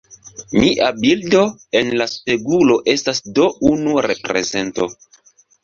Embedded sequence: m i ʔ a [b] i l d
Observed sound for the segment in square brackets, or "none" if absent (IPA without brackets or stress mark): b